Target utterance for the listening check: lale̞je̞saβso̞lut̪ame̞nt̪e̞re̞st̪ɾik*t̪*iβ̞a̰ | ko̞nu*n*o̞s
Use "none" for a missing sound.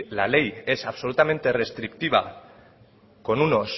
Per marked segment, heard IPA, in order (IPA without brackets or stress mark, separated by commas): t̪, n